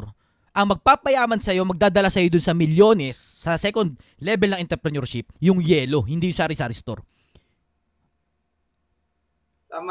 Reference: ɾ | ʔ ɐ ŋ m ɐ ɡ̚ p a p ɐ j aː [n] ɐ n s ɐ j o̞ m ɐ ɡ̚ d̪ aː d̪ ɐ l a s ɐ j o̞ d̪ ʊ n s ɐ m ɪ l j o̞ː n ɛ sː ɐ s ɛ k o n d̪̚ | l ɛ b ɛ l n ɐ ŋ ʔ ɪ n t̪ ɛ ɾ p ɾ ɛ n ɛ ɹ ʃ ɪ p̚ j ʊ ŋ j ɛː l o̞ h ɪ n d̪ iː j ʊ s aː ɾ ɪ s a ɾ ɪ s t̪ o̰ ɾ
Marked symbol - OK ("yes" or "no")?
no